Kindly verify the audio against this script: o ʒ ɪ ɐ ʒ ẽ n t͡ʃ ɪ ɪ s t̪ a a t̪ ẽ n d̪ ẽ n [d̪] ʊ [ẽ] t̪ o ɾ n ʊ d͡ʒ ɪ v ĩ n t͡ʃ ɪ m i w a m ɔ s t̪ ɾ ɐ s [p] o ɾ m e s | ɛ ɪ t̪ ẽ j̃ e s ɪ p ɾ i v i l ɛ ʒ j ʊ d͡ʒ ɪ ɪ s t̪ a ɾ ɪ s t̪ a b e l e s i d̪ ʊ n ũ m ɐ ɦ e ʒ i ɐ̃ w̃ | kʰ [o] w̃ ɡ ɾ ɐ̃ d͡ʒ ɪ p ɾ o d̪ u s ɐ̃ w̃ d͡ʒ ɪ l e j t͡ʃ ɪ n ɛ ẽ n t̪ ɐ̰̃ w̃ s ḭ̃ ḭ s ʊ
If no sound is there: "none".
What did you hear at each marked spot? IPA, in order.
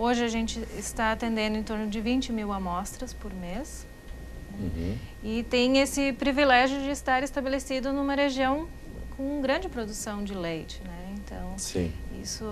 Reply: d̪, ẽ, p, õ

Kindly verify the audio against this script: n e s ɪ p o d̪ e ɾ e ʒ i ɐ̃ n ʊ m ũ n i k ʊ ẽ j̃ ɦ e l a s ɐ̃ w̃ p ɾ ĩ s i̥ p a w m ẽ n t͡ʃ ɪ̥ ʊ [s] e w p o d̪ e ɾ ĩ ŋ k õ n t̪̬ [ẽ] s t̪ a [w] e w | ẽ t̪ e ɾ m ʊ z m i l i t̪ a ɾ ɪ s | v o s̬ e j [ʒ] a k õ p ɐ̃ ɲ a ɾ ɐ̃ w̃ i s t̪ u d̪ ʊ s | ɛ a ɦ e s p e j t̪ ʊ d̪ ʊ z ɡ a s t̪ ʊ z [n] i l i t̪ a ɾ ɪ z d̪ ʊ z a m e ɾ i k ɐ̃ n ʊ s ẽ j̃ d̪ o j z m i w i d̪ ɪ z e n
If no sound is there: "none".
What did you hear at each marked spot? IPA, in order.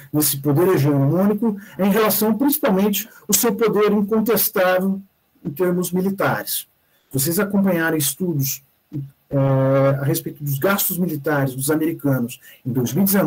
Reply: s, e, v, z, m

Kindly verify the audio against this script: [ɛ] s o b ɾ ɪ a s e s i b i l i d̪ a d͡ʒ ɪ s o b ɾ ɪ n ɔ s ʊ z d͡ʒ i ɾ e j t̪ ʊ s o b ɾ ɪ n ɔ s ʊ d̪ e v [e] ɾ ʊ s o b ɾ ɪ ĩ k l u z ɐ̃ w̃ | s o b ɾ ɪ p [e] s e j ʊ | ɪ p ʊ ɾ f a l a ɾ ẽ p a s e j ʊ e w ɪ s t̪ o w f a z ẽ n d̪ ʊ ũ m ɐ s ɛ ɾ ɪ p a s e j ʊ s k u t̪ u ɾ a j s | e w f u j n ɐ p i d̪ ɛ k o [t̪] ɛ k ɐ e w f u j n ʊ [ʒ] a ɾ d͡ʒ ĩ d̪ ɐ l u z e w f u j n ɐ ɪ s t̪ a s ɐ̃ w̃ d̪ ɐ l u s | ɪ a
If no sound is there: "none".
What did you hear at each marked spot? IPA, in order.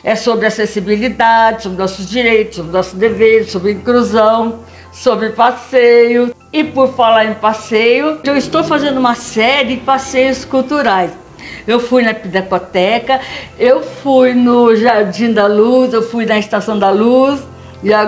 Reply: ɛ, e, a, t̪, ʒ

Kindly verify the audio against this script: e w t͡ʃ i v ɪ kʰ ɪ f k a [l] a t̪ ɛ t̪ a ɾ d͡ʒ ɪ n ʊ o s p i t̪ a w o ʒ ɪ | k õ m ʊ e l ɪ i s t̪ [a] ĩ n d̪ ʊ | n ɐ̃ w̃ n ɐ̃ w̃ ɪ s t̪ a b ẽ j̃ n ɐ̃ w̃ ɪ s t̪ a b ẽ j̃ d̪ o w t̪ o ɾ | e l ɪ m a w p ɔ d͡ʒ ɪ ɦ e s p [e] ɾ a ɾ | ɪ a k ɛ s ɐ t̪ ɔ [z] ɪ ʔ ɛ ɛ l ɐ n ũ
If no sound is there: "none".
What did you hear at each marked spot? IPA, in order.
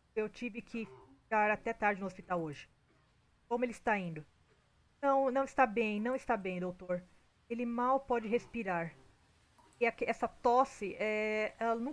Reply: ɾ, a, i, s

